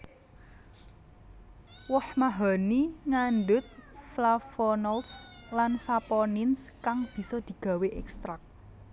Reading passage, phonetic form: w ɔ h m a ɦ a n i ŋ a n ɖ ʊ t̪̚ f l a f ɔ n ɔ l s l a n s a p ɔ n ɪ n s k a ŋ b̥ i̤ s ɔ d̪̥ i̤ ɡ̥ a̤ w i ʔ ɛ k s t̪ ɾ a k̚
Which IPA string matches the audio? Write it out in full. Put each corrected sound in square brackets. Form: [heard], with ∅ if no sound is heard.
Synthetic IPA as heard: w ɔ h m a ɦ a n i ŋ a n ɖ ʊ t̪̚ f l a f ɔ n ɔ l s l a n s a p ɔ n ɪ n s k a ŋ b̥ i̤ s ɔ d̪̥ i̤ ɡ̥ a̤ w [e] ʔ ɛ k s t̪ ɾ a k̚